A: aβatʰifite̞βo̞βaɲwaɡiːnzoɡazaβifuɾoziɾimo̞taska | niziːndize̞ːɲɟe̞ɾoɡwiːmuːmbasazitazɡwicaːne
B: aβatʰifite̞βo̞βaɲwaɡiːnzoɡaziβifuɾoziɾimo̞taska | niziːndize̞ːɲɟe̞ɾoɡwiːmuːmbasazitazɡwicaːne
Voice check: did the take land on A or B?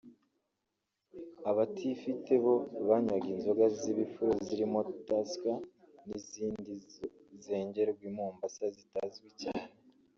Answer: B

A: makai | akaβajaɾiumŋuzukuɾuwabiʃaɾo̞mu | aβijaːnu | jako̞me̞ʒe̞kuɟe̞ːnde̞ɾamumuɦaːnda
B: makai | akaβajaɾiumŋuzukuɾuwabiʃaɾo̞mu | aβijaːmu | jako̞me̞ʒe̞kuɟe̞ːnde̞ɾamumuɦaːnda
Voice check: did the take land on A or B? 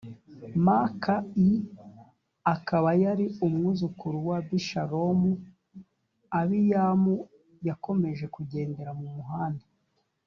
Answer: B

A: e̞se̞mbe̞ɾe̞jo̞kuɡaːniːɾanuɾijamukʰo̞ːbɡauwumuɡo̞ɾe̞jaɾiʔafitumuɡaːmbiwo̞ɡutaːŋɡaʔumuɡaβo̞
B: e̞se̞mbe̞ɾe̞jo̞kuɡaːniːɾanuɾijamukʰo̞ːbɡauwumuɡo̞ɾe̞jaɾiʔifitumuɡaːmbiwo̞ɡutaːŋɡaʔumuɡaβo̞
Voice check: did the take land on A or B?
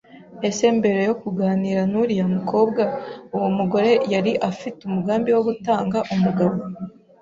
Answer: A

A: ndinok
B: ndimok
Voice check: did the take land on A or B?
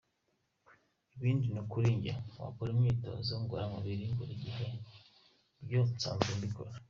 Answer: A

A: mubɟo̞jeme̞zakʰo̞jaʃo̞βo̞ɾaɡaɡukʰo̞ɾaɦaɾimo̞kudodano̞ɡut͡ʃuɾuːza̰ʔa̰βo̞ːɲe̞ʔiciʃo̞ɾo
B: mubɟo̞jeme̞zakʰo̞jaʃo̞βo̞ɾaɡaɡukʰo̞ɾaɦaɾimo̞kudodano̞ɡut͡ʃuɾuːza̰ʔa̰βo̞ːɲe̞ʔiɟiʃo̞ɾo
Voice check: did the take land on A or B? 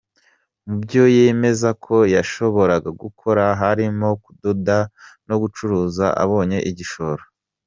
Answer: B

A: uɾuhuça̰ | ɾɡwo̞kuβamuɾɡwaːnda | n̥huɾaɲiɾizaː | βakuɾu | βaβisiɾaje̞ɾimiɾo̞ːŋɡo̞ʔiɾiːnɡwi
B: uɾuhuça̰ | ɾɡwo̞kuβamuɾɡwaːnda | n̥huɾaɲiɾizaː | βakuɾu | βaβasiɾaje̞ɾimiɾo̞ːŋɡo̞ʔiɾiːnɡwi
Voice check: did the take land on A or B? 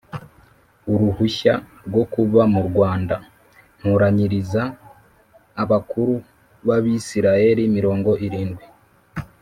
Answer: A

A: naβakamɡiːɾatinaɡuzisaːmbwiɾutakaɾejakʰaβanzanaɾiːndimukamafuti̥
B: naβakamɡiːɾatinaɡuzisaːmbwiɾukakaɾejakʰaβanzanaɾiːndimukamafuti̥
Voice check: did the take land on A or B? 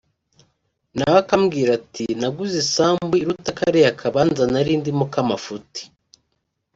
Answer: A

